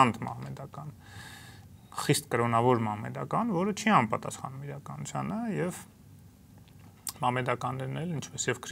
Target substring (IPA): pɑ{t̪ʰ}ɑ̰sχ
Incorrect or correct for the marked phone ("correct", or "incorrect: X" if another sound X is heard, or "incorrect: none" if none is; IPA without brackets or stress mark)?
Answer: incorrect: t̪